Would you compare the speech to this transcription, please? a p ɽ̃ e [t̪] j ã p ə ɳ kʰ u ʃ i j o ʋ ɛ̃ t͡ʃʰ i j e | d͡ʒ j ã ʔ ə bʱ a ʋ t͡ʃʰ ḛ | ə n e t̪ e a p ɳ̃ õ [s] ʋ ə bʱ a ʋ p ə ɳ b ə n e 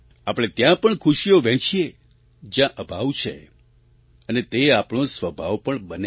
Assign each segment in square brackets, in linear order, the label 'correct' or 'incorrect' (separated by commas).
correct, correct